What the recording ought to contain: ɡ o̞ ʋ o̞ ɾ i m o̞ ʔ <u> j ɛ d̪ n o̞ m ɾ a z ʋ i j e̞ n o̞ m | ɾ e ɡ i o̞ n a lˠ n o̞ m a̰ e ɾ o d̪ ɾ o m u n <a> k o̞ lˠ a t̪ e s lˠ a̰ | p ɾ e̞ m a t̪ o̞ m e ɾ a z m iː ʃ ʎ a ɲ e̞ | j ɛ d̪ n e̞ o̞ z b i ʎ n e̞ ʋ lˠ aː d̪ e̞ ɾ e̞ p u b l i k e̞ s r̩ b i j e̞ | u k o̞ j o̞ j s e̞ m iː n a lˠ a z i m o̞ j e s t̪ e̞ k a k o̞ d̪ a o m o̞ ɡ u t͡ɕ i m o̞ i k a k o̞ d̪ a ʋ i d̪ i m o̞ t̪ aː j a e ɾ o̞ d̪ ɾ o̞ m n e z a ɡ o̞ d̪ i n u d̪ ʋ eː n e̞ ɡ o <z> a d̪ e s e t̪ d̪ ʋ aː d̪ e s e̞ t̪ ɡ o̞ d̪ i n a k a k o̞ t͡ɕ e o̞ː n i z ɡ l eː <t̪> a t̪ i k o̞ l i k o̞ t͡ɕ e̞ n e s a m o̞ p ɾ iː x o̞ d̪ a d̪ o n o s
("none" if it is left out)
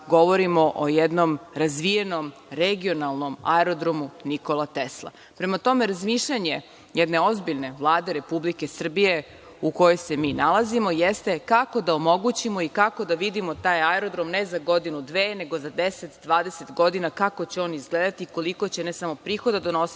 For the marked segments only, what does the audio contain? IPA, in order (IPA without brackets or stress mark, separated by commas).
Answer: o, i, z, d̪